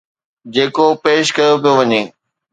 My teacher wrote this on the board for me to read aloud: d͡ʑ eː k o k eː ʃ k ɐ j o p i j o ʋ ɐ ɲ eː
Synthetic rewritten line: d͡ʑ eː k o p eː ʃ k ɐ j o p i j o ʋ ɐ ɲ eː